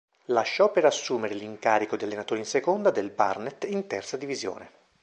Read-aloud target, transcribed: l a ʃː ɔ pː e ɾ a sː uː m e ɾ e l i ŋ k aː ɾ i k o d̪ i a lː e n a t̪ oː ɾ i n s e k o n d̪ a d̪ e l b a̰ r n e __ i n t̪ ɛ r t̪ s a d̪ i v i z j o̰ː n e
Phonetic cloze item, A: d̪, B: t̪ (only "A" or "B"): B